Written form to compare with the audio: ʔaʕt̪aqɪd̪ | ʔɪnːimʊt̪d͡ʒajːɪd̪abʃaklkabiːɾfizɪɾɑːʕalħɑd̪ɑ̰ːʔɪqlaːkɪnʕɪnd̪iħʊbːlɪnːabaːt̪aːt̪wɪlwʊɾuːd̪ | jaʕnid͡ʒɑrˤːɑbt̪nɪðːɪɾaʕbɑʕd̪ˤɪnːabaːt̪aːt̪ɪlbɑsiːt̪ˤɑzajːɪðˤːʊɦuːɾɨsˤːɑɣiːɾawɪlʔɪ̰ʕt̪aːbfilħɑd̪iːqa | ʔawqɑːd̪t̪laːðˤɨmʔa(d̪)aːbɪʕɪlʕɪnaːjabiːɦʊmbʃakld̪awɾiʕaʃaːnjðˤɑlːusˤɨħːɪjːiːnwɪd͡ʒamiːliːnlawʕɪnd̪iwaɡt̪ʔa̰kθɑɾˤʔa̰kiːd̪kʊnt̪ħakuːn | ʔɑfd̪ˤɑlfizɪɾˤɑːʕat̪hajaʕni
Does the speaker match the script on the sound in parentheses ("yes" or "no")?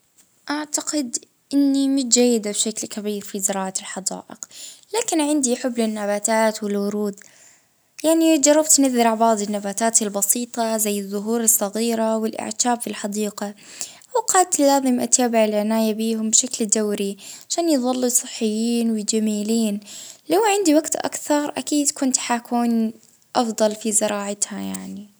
no